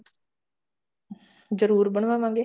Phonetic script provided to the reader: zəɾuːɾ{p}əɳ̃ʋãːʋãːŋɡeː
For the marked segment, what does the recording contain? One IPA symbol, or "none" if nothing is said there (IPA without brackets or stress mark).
b